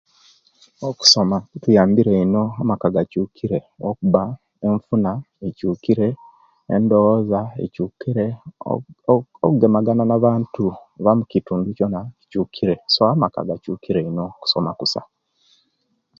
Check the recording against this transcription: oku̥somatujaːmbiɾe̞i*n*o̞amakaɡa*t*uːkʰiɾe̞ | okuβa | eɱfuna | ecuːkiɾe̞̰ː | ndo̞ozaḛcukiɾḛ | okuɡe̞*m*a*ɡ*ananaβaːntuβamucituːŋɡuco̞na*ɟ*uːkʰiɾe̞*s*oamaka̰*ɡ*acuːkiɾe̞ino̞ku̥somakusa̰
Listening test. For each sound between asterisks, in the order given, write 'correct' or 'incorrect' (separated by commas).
correct, incorrect, correct, correct, incorrect, correct, correct